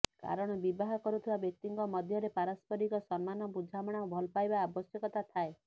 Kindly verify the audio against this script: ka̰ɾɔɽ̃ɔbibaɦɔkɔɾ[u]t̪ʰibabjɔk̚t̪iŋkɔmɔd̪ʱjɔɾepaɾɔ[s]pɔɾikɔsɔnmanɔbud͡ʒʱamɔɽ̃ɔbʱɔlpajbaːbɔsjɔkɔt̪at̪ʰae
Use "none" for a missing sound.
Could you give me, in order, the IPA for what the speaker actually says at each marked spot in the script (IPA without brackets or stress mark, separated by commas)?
u, s